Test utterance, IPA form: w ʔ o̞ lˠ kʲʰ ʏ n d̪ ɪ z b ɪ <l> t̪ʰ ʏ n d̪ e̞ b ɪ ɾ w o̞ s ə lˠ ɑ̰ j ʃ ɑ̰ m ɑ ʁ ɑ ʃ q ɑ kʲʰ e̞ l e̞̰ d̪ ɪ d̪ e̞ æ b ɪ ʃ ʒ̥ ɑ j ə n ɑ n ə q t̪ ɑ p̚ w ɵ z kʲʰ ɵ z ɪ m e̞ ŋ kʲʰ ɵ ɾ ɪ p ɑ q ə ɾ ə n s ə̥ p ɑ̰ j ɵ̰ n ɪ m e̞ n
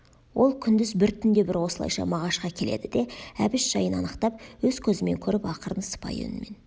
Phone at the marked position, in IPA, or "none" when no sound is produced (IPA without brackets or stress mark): ɾ